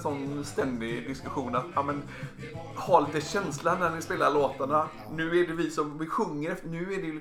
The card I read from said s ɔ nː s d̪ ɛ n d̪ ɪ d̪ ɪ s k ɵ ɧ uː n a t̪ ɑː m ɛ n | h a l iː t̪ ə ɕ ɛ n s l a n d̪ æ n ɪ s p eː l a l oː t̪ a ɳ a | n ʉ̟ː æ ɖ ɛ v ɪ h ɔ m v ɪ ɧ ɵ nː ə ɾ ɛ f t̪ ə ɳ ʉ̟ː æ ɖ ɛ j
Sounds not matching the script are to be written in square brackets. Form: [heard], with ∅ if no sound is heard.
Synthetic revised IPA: s ɔ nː s [t̪] ɛ n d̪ ɪ d̪ ɪ s k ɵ ɧ uː n a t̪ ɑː m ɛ n | h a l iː t̪ ə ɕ ɛ n s l a n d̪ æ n ɪ s p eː l a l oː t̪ a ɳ a | n ʉ̟ː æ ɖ ɛ v ɪ [s] ɔ m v ɪ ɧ ɵ [ŋː] ə ɾ ɛ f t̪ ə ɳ ʉ̟ː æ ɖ ɛ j